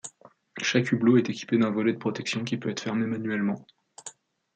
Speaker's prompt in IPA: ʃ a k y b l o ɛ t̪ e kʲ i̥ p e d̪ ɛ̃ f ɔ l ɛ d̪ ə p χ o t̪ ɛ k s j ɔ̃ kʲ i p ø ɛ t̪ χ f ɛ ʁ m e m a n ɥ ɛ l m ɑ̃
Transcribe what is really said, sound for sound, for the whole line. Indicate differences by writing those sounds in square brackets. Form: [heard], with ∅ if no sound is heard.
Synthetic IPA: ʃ a k y b l o ɛ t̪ e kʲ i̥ p e d̪ ɛ̃ [v] ɔ l ɛ d̪ ə p χ [ɔ] t̪ ɛ k s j ɔ̃ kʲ i p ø ɛ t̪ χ f ɛ ʁ m e m a n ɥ ɛ l m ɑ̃